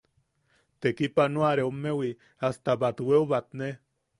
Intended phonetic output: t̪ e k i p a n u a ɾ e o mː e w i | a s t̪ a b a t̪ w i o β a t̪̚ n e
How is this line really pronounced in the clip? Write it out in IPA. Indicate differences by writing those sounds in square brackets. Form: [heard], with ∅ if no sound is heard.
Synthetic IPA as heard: t̪ e k i p a n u a ɾ e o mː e w i | a s t̪ a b a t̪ w [e] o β a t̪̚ n e